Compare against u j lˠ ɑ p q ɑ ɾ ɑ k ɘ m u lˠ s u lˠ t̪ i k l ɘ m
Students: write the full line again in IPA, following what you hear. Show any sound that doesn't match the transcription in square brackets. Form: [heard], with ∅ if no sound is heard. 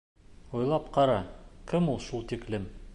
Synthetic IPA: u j lˠ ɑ p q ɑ ɾ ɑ k ɘ m u lˠ [ʃ] u lˠ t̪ i k l ɘ m